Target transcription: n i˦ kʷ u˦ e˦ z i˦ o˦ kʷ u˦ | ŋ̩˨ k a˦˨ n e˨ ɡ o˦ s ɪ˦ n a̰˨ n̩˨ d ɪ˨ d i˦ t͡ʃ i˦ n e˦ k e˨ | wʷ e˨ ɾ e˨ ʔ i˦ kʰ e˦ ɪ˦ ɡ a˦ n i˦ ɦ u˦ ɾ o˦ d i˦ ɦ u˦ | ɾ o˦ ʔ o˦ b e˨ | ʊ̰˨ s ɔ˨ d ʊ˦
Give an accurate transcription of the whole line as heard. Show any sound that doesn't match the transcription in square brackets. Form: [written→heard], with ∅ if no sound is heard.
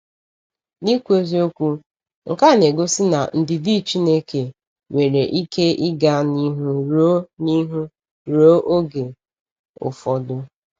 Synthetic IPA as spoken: n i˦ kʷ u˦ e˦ z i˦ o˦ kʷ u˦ | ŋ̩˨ k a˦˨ n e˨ ɡ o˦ s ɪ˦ n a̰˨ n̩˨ d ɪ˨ d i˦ t͡ʃ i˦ n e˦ k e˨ | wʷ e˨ ɾ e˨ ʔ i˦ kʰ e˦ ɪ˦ ɡ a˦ n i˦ ɦ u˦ ɾ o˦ [d→n] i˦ ɦ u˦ | ɾ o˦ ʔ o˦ [b→ɡ] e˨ | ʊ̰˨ [s→f] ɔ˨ d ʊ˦